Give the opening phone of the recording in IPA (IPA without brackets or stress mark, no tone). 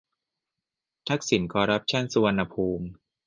t̪ʰ